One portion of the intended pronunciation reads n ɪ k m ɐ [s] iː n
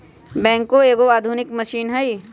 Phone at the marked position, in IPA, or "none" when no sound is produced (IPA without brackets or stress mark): ʃ